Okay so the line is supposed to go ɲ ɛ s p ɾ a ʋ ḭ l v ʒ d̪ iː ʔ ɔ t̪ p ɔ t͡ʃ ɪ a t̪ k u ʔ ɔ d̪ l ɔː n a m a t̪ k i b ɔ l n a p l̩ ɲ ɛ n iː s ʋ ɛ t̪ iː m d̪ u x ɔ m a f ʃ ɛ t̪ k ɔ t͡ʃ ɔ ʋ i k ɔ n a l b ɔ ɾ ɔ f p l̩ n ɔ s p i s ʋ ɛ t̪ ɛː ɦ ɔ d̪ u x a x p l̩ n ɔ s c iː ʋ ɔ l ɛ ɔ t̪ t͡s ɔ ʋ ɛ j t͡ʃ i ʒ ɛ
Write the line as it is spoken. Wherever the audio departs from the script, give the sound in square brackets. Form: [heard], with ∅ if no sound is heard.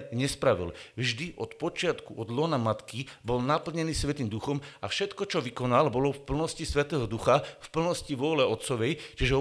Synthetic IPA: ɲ ɛ s p ɾ a ʋ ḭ l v ʒ d̪ [i] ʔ ɔ t̪ p ɔ t͡ʃ ɪ a t̪ k u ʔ ɔ d̪ l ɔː n a m a t̪ k i b ɔ l n a p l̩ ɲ ɛ n iː s ʋ ɛ t̪ iː m d̪ u x ɔ m a f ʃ ɛ t̪ k ɔ t͡ʃ ɔ ʋ i k ɔ n a l b ɔ [l] ɔ f p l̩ n ɔ s [c] i s ʋ ɛ t̪ ɛː ɦ ɔ d̪ u x a [f] p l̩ n ɔ s c [i] ʋ ɔ l ɛ ɔ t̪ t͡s ɔ ʋ ɛ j t͡ʃ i ʒ ɛ